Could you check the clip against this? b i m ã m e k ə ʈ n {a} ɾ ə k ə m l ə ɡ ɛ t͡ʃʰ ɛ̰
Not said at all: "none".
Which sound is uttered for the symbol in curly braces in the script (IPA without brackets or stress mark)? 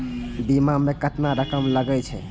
a